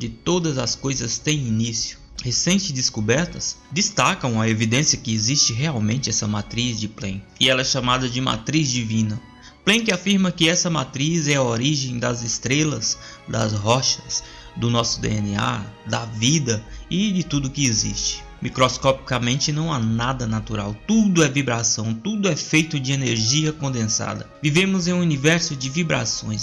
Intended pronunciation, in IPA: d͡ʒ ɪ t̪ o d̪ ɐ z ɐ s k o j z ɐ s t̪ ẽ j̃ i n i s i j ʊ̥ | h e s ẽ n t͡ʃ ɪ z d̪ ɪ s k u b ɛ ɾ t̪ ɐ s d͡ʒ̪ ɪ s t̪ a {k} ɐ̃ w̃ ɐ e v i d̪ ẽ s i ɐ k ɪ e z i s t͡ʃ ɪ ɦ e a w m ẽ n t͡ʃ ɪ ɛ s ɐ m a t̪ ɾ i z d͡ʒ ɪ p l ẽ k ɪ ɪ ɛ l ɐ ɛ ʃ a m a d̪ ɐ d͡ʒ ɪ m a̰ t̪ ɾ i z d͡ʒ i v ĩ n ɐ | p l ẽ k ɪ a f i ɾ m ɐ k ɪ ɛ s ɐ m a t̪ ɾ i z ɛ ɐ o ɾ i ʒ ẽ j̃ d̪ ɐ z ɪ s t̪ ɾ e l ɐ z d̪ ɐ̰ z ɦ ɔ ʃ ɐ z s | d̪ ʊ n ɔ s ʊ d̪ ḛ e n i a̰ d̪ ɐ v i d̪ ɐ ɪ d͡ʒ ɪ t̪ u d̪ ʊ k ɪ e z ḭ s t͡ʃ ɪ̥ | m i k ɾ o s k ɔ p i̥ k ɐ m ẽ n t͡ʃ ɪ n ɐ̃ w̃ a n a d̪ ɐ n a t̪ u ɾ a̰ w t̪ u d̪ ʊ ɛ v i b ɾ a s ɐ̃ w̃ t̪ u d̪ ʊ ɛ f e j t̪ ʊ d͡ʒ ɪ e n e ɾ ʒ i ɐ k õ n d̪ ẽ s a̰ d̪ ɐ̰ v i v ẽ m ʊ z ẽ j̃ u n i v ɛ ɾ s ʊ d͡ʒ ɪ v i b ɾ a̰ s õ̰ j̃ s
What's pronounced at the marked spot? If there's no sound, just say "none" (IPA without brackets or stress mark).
k